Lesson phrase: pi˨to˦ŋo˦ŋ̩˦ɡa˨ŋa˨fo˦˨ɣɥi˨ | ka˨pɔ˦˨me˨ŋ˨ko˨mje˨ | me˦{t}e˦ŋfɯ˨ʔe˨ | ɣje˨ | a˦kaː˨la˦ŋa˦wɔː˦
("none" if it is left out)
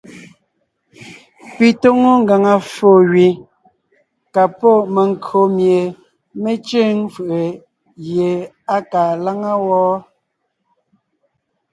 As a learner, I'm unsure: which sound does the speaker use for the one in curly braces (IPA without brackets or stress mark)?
t͡ʃ